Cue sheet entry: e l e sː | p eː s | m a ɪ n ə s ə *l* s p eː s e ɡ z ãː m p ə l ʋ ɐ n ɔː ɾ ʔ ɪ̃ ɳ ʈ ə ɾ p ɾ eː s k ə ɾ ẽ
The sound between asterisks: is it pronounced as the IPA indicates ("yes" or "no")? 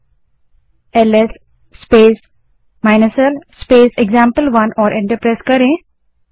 yes